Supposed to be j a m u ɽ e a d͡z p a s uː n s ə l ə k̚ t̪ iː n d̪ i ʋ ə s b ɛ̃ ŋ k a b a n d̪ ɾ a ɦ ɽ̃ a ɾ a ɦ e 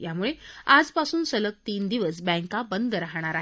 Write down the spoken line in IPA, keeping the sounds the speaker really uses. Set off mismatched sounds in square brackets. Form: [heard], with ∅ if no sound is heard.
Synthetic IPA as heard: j a m u [ɭ] e a d͡z p a s uː n s ə l ə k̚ t̪ iː n d̪ i ʋ ə s b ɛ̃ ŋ k a b [ə] n d̪ ɾ a ɦ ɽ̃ a ɾ a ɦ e